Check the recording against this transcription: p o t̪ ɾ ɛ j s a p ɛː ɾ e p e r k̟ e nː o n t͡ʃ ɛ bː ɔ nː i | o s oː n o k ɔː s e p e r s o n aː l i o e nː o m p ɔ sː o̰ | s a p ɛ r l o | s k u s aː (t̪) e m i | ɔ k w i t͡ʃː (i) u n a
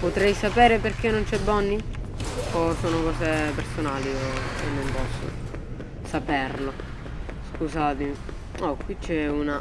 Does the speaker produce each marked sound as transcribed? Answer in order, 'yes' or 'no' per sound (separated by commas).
yes, no